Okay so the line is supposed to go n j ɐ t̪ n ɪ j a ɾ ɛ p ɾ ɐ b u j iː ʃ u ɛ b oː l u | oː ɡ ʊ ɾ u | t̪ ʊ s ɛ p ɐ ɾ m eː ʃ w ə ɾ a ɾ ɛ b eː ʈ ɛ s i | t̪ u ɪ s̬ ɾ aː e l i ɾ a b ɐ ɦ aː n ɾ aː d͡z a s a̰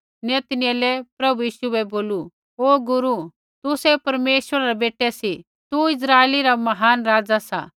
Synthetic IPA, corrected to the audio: n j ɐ t̪ n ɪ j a l ɛ p ɾ ɐ b u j iː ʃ u ɛ b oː l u | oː ɡ ʊ ɾ u | t̪ ʊ s ɛ p ɐ ɾ m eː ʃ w ə ɾ a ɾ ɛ b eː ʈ ɛ s i | t̪ u ɪ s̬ ɾ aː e l i ɾ a m ɐ ɦ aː n ɾ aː d͡z a s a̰

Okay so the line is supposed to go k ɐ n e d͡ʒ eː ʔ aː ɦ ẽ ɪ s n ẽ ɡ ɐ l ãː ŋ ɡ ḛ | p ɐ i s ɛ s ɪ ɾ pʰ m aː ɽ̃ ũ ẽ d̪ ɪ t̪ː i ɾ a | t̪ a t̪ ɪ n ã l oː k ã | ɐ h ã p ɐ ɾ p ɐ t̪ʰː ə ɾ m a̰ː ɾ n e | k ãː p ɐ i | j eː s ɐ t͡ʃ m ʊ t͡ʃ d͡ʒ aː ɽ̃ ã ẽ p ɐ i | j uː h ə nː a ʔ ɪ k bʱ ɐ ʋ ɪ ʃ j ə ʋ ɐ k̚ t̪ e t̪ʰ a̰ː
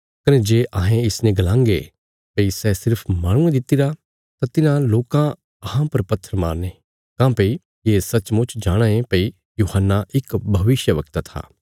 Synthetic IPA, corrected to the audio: k ɐ n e d͡ʒ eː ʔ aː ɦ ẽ ɪ s n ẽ ɡ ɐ l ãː ŋ ɡ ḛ | p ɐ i s ɛ s ɪ ɾ pʰ m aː ɽ̃ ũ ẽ d̪ ɪ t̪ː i ɾ a | t̪ a t̪ ɪ n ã l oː k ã | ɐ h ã p ɐ ɾ p ɐ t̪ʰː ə ɾ m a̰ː ɾ n e | k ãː p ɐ i | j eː s ɐ t͡ʃ m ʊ t͡ʃ d͡ʒ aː ɽ̃ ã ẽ p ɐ i | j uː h ə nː a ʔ ɪ k bʱ ɐ ʋ ɪ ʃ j ə ʋ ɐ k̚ t̪ a t̪ʰ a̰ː

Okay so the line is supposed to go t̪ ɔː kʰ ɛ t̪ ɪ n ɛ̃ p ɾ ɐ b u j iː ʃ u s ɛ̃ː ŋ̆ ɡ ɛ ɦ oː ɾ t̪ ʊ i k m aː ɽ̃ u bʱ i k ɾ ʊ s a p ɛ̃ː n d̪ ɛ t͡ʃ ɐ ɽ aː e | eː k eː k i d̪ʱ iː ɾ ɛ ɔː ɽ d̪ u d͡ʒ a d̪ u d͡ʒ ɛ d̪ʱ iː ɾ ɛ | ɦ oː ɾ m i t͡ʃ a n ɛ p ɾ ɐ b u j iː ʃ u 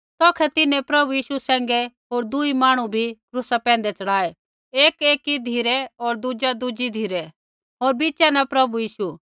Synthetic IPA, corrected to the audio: t̪ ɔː kʰ ɛ t̪ ɪ n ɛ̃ p ɾ ɐ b u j iː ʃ u s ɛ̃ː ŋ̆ ɡ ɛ ɦ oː ɾ d̪ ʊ i m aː ɽ̃ u bʱ i k ɾ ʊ s a p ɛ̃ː n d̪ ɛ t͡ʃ ɐ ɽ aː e | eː k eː k i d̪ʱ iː ɾ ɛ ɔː ɾ d̪ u d͡ʒ a d̪ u d͡ʒ i d̪ʱ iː ɾ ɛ | ɦ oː ɾ b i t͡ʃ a n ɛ p ɾ ɐ b u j iː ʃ u

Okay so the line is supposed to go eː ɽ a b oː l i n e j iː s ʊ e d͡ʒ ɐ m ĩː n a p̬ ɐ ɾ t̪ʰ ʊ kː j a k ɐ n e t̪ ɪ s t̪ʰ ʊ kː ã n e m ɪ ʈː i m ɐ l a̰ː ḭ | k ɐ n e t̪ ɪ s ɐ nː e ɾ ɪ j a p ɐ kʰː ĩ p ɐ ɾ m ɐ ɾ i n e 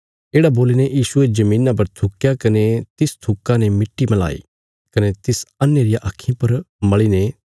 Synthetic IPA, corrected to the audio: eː ɽ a b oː l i n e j iː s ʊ e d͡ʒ ɐ m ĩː n a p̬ ɐ ɾ t̪ʰ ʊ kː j a k ɐ n e t̪ ɪ s t̪ʰ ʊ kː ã n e m ɪ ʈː i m ɐ l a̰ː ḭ | k ɐ n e t̪ ɪ s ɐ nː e ɾ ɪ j a ʔ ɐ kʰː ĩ p ɐ ɾ m ɐ ɭ i n e

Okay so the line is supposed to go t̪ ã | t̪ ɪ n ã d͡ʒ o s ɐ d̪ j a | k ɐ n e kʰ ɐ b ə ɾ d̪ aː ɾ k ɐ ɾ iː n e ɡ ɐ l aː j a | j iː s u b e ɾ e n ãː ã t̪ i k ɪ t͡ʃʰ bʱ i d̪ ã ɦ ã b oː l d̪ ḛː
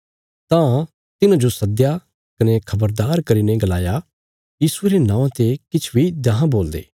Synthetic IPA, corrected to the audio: t̪ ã | t̪ ɪ n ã d͡ʒ o s ɐ d̪ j a | k ɐ n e kʰ ɐ b ə ɾ d̪ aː ɾ k ɐ ɾ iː n e ɡ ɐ l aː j a | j iː s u e ɾ e n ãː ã t̪ e k ɪ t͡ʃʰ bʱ i d̪ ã ɦ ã b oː l d̪ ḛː

